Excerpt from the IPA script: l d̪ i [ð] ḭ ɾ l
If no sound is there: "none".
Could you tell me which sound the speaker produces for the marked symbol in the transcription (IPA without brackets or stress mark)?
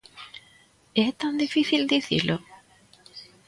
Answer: θ